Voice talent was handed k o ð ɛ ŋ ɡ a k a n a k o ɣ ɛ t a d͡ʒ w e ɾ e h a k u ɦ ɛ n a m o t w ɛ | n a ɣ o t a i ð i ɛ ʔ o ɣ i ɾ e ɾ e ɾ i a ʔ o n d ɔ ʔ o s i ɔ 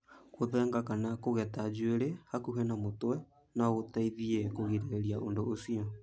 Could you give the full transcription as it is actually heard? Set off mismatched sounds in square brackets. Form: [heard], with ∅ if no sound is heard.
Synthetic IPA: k o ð ɛ ŋ ɡ a k a n a k o ɣ ɛ t a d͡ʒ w e ɾ e h a k u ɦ ɛ n a m o t w ɛ | n a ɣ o t a i ð i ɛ [k] o ɣ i ɾ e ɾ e ɾ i a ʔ o n d [o] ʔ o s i ɔ